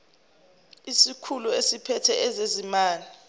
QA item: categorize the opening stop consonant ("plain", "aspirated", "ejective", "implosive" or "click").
aspirated